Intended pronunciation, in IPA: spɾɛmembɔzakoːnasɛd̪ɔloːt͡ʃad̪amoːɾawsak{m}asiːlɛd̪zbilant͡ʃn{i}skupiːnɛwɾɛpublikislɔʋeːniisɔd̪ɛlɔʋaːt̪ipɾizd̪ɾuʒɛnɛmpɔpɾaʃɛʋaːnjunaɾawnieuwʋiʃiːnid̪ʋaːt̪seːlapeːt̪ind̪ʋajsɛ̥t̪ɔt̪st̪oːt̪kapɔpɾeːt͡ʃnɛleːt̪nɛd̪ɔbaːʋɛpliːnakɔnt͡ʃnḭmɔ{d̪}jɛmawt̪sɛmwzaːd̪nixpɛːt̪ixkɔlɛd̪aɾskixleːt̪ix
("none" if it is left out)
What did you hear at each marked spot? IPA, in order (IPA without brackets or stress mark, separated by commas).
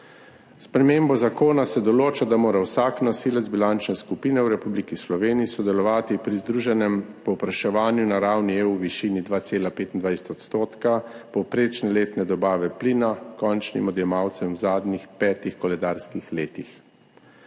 n, ɛ, d̪